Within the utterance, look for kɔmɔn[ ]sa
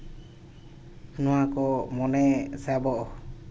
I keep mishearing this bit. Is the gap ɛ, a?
ɛ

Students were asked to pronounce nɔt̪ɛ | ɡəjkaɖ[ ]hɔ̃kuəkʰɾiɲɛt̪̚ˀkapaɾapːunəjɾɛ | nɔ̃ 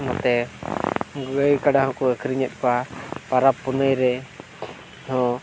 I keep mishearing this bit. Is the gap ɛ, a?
a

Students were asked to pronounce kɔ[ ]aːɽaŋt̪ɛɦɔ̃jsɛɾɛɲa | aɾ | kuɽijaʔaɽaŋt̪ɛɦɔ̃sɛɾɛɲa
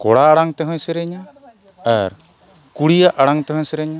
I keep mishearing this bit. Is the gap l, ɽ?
ɽ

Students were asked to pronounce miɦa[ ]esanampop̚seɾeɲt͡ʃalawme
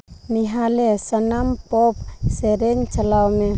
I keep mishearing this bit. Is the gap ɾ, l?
l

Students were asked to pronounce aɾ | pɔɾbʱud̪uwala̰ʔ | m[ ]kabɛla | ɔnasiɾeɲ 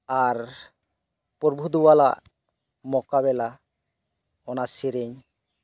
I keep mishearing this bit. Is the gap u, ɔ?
ɔ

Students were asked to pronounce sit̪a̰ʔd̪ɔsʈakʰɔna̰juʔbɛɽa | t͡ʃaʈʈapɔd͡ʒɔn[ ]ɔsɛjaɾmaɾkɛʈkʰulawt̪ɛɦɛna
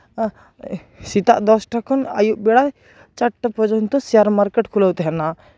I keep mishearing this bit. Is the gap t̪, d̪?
t̪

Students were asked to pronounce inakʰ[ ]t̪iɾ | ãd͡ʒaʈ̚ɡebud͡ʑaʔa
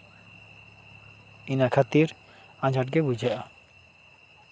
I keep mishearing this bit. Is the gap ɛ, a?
a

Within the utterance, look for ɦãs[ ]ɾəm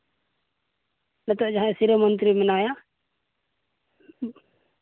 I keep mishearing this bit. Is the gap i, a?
i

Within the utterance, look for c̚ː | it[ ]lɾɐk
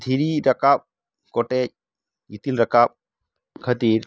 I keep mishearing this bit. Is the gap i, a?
i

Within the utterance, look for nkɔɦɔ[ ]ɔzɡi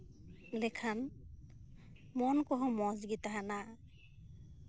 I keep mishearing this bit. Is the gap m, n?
m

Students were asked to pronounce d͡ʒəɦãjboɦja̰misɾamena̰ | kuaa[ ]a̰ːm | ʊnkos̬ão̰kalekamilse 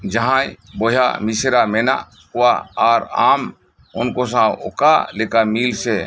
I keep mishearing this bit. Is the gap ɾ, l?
ɾ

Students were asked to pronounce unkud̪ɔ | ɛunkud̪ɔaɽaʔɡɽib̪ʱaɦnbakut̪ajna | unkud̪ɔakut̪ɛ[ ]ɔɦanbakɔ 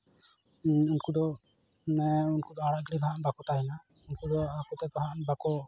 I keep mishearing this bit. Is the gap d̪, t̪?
t̪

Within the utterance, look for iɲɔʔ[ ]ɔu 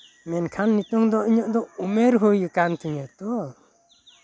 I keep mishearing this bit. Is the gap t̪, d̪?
d̪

